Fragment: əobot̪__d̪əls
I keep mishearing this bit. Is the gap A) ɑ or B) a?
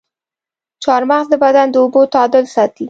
A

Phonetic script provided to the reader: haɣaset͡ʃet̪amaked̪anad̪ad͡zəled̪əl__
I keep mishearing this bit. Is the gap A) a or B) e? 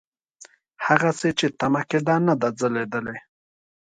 B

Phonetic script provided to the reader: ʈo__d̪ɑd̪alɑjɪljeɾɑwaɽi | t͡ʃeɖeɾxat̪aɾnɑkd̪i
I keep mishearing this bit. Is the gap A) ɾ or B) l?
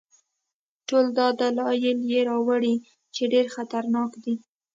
B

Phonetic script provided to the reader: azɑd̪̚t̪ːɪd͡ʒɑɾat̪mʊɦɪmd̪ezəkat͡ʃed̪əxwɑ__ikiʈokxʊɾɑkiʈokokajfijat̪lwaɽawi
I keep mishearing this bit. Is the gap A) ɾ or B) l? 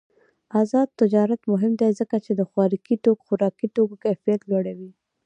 A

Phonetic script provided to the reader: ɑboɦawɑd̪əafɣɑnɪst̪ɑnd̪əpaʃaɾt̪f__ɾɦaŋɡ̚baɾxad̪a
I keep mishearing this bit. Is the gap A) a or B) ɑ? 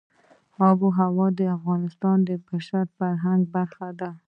A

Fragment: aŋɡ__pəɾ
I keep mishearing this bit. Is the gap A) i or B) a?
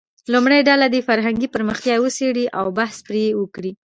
A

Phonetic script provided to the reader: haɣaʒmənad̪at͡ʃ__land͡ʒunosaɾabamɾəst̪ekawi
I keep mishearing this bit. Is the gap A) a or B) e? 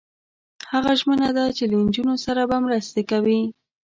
B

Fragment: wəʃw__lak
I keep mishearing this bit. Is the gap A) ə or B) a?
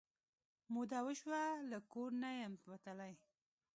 B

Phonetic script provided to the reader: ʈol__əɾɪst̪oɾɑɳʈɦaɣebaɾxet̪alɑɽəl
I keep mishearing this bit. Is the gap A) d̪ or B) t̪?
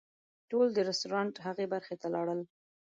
A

